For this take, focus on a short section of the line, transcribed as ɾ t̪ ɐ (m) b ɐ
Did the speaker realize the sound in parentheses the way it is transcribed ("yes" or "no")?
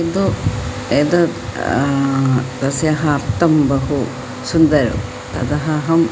yes